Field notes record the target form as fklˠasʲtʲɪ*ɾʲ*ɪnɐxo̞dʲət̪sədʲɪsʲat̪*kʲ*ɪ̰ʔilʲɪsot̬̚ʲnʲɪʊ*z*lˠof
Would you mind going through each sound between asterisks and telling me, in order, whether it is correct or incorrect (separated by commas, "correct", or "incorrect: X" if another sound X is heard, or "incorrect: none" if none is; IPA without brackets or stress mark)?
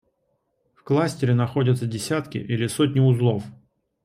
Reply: correct, correct, correct